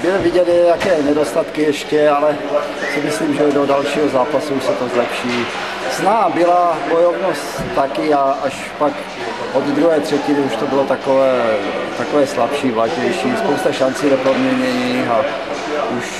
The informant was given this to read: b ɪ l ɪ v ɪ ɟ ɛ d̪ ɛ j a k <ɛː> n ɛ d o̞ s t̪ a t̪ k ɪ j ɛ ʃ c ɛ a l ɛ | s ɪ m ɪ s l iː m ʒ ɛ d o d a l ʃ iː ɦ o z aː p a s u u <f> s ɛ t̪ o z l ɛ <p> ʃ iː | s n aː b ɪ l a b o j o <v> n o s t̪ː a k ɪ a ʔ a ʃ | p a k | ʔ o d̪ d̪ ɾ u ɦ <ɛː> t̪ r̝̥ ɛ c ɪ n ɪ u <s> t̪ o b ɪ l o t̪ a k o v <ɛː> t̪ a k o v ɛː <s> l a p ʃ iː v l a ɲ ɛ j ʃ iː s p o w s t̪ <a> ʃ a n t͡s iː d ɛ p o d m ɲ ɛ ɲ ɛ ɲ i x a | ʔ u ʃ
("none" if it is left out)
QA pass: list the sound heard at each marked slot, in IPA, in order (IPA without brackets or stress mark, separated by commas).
ɛː, ʃ, p, v, ɛː, ʃ, ɛː, s, a